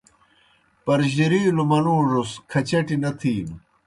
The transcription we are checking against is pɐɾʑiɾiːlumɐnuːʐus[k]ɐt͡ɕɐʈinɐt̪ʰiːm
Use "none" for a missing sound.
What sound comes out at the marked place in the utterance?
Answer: kʰ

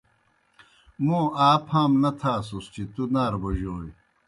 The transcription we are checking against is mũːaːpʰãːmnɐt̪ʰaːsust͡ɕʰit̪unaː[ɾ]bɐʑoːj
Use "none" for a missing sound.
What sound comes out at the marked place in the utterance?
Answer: ɾ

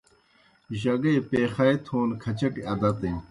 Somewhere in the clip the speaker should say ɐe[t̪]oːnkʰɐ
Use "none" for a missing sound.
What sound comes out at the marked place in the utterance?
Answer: t̪ʰ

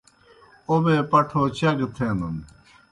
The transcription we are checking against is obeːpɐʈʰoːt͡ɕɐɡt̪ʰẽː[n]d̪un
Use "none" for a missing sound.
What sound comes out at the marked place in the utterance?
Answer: n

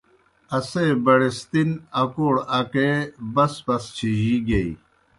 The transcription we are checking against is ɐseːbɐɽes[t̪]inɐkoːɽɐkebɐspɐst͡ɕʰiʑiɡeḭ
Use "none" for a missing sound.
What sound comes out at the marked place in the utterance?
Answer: t̪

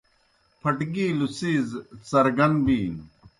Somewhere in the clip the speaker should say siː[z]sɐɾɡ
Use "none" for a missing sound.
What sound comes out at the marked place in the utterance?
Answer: z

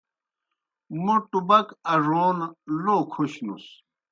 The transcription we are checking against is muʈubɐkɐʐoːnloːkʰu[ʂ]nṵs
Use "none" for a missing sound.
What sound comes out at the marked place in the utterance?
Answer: ɕ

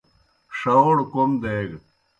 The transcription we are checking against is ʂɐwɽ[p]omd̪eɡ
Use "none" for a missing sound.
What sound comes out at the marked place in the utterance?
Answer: k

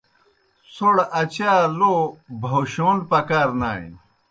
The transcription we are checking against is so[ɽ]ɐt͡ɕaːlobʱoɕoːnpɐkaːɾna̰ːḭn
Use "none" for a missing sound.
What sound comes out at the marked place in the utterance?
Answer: ɽ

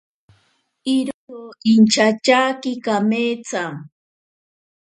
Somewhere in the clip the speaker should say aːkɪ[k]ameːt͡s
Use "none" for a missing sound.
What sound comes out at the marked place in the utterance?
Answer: k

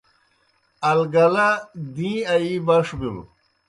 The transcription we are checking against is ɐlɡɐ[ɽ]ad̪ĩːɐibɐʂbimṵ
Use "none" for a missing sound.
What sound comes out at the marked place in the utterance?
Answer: l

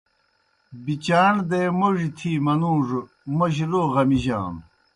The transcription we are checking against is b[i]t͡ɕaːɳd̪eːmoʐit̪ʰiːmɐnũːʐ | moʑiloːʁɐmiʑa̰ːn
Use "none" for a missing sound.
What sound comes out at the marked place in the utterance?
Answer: i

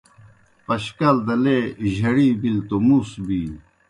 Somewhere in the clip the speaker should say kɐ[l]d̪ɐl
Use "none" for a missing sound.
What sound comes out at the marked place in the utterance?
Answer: l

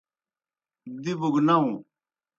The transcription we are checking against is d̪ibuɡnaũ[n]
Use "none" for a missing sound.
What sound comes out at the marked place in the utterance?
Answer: none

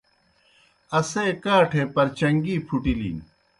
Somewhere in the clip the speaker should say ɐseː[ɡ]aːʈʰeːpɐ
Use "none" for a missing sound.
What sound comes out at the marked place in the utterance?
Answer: k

